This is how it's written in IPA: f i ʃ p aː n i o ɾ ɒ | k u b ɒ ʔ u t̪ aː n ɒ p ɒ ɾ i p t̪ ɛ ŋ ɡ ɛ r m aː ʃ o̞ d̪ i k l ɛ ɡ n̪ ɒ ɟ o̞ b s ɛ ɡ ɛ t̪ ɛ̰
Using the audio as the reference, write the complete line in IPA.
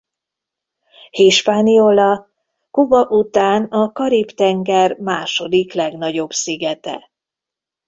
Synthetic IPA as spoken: h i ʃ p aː n i o l ɒ | k u b ɒ ʔ u t̪ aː n ɒ k ɒ ɾ i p t̪ ɛ ŋ ɡ ɛ r m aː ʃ o̞ d̪ i k l ɛ ɡ n̪ ɒ ɟ o̞ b s i ɡ ɛ t̪ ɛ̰